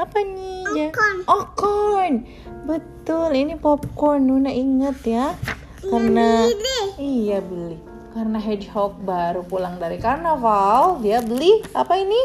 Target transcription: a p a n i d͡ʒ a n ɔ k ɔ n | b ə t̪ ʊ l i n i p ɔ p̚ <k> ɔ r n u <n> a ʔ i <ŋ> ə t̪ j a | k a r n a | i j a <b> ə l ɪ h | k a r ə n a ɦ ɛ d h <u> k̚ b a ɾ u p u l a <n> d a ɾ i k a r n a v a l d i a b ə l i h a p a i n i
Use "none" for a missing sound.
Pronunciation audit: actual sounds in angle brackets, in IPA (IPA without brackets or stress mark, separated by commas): k, n, ŋ, b, ɔ, ŋ